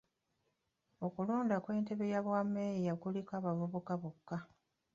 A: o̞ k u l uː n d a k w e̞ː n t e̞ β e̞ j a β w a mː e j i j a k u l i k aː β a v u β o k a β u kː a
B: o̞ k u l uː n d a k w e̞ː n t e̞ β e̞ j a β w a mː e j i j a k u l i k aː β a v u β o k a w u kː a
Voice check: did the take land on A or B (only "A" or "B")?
A